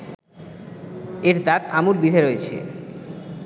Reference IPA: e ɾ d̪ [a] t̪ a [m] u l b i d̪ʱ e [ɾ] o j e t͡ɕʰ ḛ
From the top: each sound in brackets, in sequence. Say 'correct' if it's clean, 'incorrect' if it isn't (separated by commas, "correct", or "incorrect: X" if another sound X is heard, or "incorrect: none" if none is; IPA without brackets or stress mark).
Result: correct, correct, correct